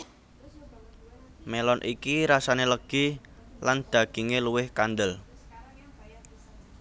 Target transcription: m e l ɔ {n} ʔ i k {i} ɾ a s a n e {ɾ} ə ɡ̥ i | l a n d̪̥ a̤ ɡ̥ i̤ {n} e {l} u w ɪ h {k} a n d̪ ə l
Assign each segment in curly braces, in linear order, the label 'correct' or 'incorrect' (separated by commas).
correct, correct, incorrect, incorrect, correct, correct